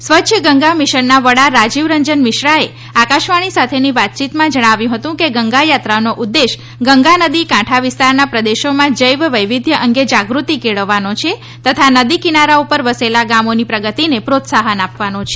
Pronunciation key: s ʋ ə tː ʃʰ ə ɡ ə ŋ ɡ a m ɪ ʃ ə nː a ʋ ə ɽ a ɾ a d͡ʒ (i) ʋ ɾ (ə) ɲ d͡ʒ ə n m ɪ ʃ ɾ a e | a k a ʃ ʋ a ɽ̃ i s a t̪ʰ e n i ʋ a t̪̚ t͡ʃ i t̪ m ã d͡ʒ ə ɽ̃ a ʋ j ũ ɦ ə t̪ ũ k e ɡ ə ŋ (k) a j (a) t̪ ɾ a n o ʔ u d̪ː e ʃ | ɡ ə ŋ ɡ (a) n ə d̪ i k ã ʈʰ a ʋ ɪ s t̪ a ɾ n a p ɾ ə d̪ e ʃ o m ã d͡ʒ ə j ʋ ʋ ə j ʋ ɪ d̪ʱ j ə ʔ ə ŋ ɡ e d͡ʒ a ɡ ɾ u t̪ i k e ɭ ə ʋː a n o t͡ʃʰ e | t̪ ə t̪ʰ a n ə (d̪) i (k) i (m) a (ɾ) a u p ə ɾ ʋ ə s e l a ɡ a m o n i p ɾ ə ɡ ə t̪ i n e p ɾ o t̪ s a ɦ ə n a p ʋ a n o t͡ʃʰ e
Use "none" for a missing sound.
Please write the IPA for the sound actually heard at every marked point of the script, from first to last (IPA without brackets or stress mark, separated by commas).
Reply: i, ə, ɡ, a, a, d̪, k, n, ɾ